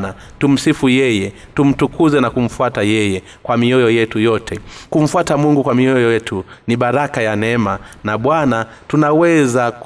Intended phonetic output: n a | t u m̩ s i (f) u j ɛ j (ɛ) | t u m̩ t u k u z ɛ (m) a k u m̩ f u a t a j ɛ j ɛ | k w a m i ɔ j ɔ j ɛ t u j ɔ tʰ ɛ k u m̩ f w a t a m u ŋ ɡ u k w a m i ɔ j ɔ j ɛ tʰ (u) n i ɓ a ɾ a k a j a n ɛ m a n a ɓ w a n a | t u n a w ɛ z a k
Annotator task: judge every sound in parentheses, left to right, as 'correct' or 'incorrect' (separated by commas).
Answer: correct, correct, incorrect, correct